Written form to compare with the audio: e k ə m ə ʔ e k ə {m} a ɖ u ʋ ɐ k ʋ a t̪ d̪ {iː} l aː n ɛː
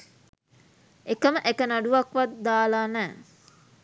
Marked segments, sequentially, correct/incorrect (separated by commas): incorrect, incorrect